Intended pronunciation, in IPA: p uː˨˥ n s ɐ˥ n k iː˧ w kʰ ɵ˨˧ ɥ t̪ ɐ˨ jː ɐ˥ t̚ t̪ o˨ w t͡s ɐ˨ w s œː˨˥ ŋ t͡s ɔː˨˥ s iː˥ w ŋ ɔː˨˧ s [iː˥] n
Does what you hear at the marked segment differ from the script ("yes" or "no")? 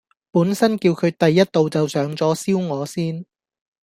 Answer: no